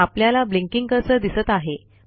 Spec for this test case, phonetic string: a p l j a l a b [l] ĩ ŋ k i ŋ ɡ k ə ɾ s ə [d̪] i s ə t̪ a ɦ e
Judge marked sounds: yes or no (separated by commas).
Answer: yes, yes